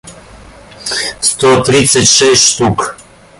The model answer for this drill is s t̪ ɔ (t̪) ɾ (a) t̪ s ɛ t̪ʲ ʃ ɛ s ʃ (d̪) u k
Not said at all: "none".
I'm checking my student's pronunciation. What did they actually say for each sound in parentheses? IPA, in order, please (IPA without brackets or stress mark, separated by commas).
t̪, i, t̪